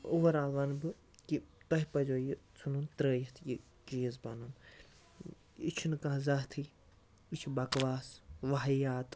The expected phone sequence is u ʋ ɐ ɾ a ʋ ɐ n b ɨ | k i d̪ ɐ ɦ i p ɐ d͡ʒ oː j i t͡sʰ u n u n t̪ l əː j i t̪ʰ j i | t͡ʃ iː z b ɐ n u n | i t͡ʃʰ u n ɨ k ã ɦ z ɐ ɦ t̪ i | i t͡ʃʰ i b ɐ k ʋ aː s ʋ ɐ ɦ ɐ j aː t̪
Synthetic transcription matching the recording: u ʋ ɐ ɾ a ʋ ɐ n b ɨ | k i t̪ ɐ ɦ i p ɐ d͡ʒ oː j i t͡sʰ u n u n t̪ ɾ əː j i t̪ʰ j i | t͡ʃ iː z b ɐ n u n | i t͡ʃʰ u n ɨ k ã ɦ z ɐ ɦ t̪ʰ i | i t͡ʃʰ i b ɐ k ʋ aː s ʋ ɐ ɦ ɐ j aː t̪

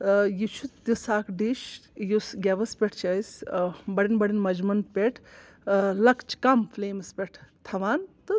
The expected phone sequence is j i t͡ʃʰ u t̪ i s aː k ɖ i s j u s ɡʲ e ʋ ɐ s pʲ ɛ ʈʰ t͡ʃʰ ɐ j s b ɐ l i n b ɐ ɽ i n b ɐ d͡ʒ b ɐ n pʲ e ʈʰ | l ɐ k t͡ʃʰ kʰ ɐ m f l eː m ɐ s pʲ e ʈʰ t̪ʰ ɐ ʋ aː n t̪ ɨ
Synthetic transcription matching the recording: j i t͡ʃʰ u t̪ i s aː k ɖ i ʃ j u s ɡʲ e ʋ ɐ s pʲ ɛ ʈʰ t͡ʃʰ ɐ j s b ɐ ɽ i n b ɐ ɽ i n m ɐ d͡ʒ m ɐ n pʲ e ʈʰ | l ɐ k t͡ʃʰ k ɐ m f l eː m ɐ s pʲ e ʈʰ t̪ʰ ɐ ʋ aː n t̪ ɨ

